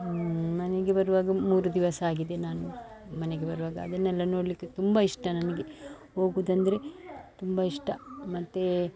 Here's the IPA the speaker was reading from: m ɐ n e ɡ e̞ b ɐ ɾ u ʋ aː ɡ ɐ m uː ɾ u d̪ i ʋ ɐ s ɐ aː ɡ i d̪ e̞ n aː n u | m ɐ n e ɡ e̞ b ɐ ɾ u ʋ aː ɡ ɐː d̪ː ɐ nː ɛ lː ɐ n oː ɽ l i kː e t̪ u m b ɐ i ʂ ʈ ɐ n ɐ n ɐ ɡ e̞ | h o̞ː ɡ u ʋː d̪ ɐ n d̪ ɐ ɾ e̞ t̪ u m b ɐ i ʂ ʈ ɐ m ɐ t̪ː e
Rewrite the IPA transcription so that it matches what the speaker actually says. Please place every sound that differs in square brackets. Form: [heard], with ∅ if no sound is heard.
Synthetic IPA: m ɐ n e ɡ e̞ b ɐ ɾ u ʋ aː ɡ ɐ m uː ɾ u d̪ i ʋ ɐ s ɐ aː ɡ i d̪ e̞ n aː n u | m ɐ n e ɡ e̞ b ɐ ɾ u ʋ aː ɡ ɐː [d̪] ɐ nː ɛ lː ɐ n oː ɽ l i kː e t̪ u m b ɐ i ʂ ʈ ɐ n ɐ n ɐ ɡ e̞ | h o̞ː ɡ u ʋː d̪ ɐ n d̪ ɐ ɾ e̞ t̪ u m b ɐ i ʂ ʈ ɐ m ɐ t̪ː e